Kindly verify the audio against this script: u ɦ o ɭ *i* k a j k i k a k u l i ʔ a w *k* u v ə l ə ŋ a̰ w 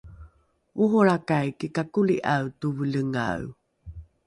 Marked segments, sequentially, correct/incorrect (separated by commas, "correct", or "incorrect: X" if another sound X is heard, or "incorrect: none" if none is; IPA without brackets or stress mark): incorrect: a, incorrect: t